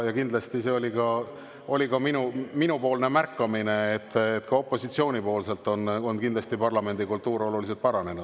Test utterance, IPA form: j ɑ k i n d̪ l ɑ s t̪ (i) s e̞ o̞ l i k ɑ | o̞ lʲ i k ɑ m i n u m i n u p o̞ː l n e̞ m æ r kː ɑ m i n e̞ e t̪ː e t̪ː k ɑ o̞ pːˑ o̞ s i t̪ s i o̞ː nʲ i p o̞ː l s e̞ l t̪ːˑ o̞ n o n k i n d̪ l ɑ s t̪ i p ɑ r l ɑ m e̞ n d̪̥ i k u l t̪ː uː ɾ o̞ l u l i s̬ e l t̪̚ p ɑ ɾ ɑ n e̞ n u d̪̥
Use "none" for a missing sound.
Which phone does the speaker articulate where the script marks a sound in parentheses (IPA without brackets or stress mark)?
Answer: i